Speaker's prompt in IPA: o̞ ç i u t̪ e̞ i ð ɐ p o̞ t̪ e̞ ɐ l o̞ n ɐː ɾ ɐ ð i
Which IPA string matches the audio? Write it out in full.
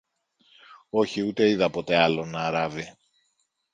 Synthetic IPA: o̞ ç i u t̪ e̞ i ð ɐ p o̞ t̪ e̞ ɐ l o̞ n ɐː ɾ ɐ v i

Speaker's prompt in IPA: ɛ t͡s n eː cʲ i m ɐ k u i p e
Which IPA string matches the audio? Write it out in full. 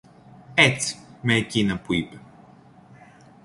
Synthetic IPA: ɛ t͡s m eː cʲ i n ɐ p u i p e

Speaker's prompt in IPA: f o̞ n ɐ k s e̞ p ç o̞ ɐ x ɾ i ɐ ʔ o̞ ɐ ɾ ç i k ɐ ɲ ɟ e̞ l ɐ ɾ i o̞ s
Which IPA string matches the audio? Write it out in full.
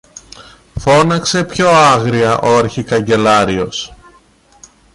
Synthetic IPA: f o̞ n ɐ k s e̞ p ç o̞ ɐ ɣ ɾ i ɐ ʔ o̞ ɐ ɾ ç i k ɐ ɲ ɟ e̞ l ɐ ɾ i o̞ s

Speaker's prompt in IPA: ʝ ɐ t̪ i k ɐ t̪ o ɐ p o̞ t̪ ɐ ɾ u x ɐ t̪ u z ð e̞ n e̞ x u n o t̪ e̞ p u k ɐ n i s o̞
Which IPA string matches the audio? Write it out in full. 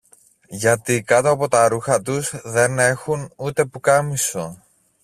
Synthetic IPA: ʝ ɐ t̪ i k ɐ t̪ o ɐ p o̞ t̪ ɐ ɾ u x ɐ t̪ u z ð e̞ n e̞ x u n u t̪ e̞ p u k ɐ m i s o̞

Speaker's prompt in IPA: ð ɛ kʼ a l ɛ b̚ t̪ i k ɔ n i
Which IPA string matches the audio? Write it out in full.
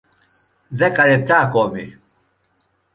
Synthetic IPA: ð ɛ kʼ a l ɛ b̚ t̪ a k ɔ m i

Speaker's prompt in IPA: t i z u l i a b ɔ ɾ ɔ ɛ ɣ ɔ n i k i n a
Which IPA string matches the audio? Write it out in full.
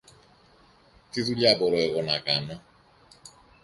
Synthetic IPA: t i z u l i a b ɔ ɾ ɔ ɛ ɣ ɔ n a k a n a

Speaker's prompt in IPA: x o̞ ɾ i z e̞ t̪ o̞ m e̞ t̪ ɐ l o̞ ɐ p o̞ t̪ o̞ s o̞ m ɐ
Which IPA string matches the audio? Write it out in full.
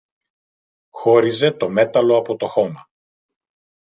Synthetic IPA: x o̞ ɾ i z e̞ t̪ o̞ m e̞ t̪ ɐ l o̞ ɐ p o̞ t̪ o̞ x o̞ m ɐ

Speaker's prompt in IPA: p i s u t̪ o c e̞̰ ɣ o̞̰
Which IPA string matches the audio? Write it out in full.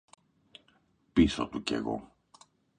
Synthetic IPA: p i s o t̪ u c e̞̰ ɣ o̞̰

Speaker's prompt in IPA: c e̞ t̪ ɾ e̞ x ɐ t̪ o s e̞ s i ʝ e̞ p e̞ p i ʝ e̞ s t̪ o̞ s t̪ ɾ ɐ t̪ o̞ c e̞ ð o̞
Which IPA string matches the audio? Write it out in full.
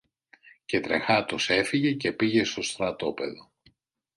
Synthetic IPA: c e̞ t̪ ɾ e̞ x ɐ t̪ o s e̞ f i ʝ e̞ c e̞ p i ʝ e̞ s t̪ o̞ s t̪ ɾ ɐ t̪ o̞ p e̞ ð o̞

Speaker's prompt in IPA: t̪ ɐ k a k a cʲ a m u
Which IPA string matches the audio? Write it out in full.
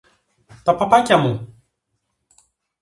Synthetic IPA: t̪ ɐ p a p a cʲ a m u

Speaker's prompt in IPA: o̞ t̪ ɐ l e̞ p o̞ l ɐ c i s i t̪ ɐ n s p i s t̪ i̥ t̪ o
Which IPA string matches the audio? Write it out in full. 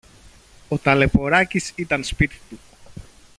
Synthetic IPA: o̞ t̪ ɐ l e̞ p o̞ ɾ ɐ c i s i t̪ ɐ n s p i t̪ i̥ t̪ u

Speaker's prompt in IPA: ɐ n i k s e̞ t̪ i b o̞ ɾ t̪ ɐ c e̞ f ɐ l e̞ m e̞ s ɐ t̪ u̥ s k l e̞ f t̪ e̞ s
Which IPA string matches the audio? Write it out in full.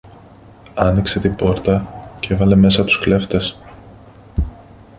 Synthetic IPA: ɐ n i k s e̞ t̪ i b o̞ ɾ t̪ ɐ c e̞ v ɐ l e̞ m e̞ s ɐ t̪ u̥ s k l e̞ f t̪ e̞ s

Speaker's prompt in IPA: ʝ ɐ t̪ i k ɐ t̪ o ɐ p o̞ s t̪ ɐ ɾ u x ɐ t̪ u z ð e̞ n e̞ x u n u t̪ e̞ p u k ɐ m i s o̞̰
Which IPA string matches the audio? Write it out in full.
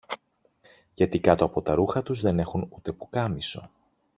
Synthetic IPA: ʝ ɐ t̪ i k ɐ t̪ o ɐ p o̞ t̪ ɐ ɾ u x ɐ t̪ u z ð e̞ n e̞ x u n u t̪ e̞ p u k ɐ m i s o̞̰

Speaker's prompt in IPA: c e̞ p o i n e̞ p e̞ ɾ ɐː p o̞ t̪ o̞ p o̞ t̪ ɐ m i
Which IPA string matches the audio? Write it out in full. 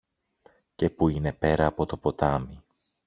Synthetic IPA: c e̞ p u i n e̞ p e̞ ɾ ɐː p o̞ t̪ o̞ p o̞ t̪ ɐ m i

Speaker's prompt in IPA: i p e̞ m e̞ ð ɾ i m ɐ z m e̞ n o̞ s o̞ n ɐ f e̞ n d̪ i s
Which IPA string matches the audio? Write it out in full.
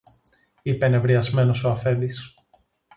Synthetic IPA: i p e̞ n e̞ v ɾ i ɐ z m e̞ n o̞ s o̞ ɐ f e̞ n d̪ i s

